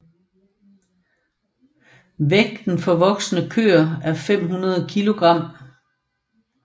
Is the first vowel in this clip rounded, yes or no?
no